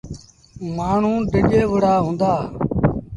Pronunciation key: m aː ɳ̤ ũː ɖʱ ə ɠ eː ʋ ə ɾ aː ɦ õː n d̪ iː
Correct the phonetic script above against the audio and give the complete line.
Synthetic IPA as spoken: m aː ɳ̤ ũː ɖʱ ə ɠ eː ʋ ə ɽ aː ɦ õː n d̪ aː